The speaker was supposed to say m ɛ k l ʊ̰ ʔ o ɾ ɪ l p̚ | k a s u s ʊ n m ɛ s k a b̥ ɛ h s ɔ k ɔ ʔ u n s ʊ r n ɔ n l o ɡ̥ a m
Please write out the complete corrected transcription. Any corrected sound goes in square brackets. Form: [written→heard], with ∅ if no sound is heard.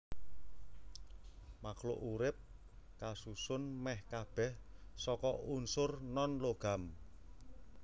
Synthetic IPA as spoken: m [ɛ→a] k l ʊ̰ ʔ [o→u] ɾ ɪ [l→∅] p̚ | k a s u s ʊ n m ɛ [s→h] k a b̥ ɛ h s ɔ k ɔ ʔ u n s ʊ r n ɔ n l o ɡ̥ a m